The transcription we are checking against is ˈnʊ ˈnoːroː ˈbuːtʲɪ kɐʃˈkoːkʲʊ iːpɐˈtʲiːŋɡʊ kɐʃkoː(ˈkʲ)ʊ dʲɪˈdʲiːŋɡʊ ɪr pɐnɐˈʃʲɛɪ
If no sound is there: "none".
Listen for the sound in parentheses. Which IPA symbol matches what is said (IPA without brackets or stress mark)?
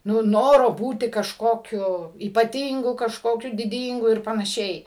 kʲ